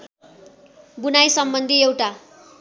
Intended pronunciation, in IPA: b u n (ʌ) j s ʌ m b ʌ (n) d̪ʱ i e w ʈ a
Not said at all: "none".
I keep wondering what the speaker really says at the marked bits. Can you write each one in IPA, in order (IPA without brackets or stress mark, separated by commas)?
a, n